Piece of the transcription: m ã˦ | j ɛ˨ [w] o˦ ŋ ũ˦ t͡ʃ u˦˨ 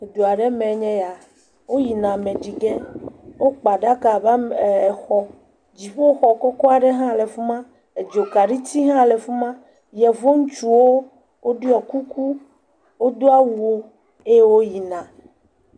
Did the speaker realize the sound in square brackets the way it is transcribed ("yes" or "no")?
no